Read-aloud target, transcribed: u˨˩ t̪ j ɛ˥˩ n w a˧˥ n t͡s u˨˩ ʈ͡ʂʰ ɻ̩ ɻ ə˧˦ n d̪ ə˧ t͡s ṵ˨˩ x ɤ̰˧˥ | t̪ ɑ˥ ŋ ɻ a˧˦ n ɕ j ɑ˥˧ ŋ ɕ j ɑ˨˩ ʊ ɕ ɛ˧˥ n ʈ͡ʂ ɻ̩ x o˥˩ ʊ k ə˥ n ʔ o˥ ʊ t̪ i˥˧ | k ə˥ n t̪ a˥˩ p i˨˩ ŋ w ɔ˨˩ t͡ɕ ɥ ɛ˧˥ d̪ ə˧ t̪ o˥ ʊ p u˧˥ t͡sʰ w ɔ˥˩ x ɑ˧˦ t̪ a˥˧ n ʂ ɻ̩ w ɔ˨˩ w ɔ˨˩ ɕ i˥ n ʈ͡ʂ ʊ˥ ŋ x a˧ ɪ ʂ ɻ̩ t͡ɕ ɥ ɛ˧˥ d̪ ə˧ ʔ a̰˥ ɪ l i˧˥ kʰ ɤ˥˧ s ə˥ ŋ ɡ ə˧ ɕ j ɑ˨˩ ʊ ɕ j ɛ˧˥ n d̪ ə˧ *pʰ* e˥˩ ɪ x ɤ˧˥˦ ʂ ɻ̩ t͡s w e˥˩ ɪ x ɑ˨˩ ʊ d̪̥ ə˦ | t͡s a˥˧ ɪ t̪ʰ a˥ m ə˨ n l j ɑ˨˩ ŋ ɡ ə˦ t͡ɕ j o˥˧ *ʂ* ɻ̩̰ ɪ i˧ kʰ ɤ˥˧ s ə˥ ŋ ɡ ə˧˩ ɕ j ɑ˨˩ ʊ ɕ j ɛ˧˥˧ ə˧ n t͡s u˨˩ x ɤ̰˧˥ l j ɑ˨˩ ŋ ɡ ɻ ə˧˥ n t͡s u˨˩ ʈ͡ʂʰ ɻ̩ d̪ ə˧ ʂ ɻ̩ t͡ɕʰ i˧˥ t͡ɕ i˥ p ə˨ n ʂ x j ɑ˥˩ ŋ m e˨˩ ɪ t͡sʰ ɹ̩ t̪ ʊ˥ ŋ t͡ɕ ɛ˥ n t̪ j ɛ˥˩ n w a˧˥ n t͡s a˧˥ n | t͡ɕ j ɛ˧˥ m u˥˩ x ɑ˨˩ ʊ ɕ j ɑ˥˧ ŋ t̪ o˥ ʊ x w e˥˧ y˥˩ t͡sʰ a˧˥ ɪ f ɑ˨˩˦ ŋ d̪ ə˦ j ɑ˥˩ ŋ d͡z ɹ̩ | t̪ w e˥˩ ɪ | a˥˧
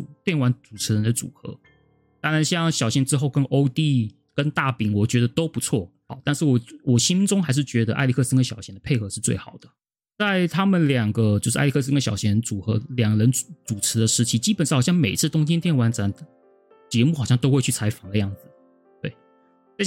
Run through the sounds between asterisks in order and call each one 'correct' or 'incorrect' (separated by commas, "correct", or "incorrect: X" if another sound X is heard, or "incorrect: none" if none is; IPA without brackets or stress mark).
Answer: correct, correct